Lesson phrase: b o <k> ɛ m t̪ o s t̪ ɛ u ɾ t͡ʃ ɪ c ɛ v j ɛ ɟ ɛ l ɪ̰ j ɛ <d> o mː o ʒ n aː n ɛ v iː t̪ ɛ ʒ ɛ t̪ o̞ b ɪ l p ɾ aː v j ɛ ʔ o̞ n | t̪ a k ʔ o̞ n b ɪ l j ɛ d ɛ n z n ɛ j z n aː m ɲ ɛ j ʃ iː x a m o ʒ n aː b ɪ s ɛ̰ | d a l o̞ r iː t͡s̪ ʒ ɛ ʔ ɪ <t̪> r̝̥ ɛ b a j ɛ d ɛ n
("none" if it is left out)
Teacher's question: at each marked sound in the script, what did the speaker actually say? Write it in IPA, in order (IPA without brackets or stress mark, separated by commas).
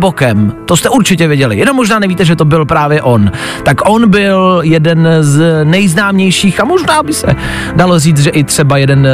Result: k, n, t̪